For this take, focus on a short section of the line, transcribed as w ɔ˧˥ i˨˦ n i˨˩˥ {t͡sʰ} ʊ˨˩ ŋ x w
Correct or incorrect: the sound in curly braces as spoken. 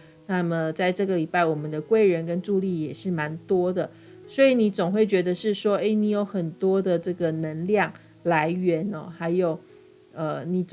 incorrect: t͡s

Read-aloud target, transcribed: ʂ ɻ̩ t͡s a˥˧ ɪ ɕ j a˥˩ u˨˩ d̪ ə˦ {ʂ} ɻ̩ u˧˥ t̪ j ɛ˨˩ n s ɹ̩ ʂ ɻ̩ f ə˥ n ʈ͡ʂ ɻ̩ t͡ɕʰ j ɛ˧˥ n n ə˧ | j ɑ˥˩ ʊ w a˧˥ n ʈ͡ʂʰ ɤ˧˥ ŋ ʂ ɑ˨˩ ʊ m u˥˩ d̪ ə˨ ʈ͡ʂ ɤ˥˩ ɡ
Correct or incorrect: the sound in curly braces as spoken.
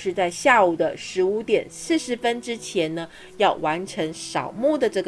correct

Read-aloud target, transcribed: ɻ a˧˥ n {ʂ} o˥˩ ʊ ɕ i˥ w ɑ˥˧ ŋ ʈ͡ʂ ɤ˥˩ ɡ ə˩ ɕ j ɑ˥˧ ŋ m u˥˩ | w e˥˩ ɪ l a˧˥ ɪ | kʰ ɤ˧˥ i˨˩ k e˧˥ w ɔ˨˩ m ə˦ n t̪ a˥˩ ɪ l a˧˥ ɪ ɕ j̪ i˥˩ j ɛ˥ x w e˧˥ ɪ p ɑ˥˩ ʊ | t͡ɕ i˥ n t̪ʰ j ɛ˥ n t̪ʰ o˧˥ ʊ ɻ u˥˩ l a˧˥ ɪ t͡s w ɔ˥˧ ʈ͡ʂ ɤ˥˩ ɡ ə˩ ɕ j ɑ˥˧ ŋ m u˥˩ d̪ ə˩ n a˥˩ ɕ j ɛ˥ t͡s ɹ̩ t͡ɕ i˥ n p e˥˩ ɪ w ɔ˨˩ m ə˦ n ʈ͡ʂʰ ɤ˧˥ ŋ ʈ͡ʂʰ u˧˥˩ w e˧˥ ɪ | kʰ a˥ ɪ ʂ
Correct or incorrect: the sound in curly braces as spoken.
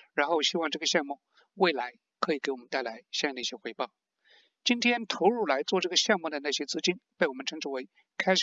incorrect: x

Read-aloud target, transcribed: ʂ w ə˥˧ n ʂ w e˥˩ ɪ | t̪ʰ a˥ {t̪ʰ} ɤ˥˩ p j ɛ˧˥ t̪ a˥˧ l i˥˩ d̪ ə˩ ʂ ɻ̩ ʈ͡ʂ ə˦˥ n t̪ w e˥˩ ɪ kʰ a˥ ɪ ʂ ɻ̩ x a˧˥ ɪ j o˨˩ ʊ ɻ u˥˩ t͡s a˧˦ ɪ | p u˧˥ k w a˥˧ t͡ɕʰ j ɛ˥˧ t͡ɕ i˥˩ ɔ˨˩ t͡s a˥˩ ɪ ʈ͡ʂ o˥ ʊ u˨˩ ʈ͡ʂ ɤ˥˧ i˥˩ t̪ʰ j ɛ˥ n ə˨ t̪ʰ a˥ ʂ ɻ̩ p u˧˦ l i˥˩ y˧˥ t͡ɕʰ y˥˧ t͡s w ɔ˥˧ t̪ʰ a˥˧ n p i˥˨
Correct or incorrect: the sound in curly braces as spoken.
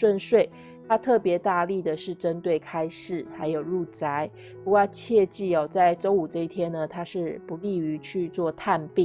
correct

